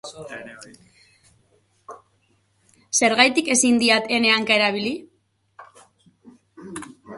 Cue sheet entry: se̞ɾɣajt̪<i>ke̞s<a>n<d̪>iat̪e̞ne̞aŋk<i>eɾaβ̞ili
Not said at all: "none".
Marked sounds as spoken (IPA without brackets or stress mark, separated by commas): i, i, d̪, a